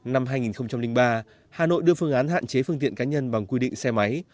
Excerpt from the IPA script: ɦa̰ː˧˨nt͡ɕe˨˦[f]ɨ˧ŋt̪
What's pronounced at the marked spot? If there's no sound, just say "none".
f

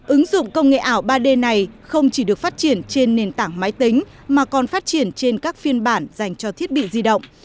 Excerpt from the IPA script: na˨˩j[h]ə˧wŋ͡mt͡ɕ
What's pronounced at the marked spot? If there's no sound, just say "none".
x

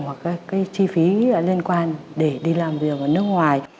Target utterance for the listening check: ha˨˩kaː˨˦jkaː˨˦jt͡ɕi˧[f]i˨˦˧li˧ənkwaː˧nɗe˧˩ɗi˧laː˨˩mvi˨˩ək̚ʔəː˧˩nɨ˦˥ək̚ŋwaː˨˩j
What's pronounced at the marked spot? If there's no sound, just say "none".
f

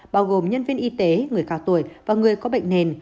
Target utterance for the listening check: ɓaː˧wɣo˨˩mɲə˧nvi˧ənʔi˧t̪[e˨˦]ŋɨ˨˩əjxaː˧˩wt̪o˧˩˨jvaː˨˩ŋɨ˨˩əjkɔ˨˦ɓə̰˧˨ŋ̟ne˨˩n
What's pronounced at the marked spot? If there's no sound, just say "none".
e˨˦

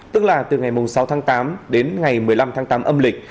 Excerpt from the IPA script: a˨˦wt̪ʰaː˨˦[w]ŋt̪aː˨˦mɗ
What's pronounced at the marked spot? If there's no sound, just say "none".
none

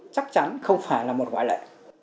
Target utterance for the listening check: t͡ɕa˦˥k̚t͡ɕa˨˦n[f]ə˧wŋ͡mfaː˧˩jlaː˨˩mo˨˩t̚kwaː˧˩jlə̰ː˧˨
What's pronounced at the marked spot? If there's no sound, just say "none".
x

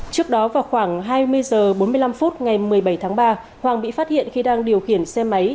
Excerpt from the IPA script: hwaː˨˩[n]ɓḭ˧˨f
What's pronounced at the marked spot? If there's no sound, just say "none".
ŋ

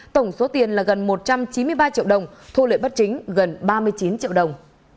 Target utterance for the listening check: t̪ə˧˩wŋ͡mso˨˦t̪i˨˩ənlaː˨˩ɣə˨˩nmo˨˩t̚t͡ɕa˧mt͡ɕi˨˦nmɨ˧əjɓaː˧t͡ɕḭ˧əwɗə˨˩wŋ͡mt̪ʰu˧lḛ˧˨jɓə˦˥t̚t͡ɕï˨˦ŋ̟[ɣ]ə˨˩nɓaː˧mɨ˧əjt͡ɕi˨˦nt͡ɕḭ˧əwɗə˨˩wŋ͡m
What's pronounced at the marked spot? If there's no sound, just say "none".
ɣ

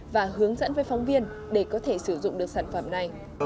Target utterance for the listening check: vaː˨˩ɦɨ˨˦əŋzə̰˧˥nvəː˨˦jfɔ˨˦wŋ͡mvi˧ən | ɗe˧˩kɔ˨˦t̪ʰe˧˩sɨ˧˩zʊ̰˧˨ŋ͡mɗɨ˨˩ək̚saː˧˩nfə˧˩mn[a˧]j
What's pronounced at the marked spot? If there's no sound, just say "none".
a˨˩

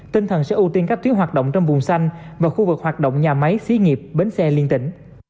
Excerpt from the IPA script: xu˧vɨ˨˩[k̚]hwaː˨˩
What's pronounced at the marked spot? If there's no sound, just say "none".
k̚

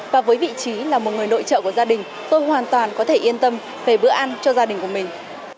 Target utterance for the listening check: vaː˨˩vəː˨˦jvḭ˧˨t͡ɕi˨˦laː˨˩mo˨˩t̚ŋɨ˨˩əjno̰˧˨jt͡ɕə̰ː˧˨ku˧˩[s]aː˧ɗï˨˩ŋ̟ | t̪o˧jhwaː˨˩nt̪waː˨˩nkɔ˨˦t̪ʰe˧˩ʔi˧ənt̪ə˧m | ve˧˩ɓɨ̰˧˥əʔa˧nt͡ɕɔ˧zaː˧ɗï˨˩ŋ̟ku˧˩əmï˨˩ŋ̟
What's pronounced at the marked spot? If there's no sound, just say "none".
z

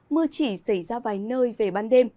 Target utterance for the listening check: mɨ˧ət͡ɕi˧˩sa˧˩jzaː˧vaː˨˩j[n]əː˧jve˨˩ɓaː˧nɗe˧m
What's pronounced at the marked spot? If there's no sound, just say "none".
n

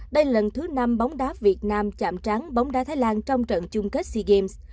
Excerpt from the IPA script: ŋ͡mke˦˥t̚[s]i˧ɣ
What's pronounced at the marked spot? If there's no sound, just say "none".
s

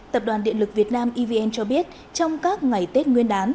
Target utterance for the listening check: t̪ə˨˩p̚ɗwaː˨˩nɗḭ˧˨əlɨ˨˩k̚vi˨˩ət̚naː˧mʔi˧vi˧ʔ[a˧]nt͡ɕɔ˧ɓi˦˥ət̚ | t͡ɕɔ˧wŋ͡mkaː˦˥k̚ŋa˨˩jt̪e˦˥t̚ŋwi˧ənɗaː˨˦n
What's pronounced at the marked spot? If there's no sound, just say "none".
ɛ˧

